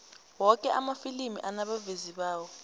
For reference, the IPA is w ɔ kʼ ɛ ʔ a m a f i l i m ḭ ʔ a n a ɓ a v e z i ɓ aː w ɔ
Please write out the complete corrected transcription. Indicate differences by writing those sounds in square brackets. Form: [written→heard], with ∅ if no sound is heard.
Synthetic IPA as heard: w ɔ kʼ ɛ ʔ a m a f i l i m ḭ ʔ a n a ɓ a v e z i ɓ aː w ɔ

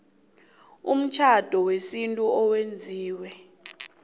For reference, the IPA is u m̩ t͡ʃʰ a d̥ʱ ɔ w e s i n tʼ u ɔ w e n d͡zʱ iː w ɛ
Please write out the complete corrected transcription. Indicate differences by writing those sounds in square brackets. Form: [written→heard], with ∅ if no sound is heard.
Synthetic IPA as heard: u m̩ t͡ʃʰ a d̥ʱ ɔ w e s i n tʼ u ɔ w e n d͡zʱ iː w ɛ

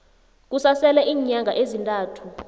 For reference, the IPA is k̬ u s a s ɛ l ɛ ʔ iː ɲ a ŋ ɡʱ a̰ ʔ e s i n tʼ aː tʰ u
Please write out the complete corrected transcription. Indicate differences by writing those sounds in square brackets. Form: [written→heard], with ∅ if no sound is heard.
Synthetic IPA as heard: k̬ u s a s ɛ l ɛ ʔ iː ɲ a ŋ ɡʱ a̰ ʔ e [s→z] i n tʼ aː tʰ u

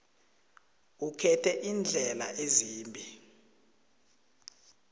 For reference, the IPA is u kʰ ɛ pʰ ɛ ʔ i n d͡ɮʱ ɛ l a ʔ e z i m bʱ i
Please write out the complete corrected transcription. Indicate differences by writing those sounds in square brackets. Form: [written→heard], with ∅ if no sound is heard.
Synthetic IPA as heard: u kʰ ɛ [pʰ→tʰ] ɛ ʔ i n d͡ɮʱ ɛ l a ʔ e z [i→iː] m bʱ i

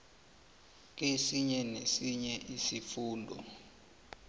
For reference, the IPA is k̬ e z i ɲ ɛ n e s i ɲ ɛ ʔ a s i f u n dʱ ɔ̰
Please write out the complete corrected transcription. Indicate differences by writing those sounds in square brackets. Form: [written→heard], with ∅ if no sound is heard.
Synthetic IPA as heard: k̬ e [z→s] i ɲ ɛ n e s i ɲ ɛ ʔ [a→i] s i f [u→uː] n dʱ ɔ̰

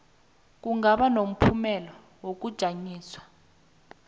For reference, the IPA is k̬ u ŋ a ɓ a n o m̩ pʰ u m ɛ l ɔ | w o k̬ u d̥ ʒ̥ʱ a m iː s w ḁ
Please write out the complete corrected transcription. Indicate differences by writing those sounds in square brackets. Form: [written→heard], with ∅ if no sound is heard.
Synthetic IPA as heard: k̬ u ŋ a ɓ a n o m̩ pʰ u m ɛ l ɔ | w o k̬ u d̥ ʒ̥ʱ a [m→ɲ] iː s w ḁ

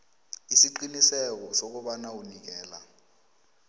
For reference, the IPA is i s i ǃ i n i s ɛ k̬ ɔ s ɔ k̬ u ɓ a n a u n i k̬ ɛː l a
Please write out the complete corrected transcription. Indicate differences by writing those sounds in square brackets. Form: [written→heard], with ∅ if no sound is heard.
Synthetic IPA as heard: i s i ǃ i n i s ɛ k̬ ɔ s [ɔ→o] k̬ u ɓ a n a u n i k̬ ɛː l a

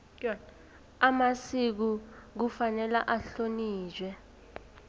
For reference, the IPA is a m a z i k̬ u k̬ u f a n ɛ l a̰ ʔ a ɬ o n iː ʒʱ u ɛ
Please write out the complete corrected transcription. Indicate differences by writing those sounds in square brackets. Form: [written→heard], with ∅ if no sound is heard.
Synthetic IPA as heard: a m a [z→s] i k̬ u k̬ u f a n ɛ l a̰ ʔ a ɬ o n iː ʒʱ [u→w] ɛ

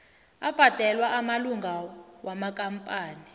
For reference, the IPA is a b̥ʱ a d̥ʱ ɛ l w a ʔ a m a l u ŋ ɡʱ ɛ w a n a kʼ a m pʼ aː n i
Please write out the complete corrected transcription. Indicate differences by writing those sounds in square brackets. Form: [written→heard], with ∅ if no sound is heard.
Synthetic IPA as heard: a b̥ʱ a d̥ʱ ɛ l w a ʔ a m a l u ŋ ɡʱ [ɛ→a] w a [n→m] a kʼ a m pʼ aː n i

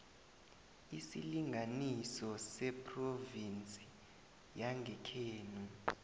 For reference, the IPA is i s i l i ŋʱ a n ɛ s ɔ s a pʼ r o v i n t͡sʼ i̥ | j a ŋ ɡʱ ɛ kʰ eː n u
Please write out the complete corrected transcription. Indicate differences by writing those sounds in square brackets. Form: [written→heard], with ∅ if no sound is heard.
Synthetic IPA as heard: i s i l i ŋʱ a n [ɛ→i] s ɔ s [a→ɛ] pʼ r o v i n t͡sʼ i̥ | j a ŋ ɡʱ ɛ kʰ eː n u

